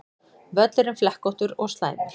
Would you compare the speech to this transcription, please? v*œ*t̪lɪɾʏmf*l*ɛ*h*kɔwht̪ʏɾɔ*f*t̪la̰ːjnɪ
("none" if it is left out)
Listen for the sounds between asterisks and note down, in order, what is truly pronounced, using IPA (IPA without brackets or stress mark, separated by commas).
œ, l, h, s